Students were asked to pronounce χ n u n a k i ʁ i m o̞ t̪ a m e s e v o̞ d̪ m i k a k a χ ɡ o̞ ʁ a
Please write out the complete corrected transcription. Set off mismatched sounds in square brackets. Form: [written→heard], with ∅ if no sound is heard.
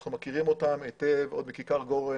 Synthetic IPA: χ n u [n→m] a k i ʁ i m o̞ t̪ a m e [s→t] e v o̞ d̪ m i k [a→i] k a [χ→ʁ] ɡ o̞ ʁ [a→e]

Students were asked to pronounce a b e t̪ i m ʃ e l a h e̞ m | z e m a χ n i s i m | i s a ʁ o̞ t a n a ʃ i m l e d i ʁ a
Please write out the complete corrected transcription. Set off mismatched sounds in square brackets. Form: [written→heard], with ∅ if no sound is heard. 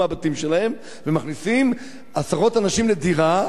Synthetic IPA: a b [e→a] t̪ i m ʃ e l a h e̞ m | [z→v] e m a χ n i s i m | [i→a] s a ʁ o̞ t a n a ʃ i m l e d i ʁ a

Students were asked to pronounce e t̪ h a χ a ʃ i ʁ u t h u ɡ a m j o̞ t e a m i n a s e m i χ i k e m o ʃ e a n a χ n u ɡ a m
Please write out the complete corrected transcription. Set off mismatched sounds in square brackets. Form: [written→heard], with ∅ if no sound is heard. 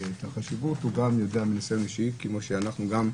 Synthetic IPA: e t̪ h a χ a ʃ i [ʁ→v] u t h u ɡ a m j o̞ [t→d] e a m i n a s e m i [χ→ʃ] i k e m o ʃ e a n a χ n u ɡ a m

